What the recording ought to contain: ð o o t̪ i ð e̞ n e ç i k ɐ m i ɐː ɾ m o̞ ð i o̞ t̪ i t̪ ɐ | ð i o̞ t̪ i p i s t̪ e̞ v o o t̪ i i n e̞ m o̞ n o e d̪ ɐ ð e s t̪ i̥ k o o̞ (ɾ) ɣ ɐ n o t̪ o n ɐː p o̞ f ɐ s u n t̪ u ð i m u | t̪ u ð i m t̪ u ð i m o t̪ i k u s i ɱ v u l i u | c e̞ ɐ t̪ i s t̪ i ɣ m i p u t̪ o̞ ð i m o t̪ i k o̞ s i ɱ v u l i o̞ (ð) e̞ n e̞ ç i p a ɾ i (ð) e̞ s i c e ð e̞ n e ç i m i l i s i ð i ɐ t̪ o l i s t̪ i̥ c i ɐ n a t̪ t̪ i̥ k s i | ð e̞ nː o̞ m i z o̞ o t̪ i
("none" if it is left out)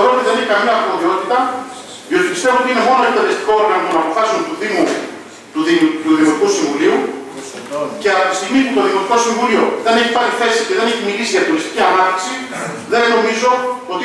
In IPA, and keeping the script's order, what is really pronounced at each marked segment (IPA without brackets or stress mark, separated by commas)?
ɾ, ð, θ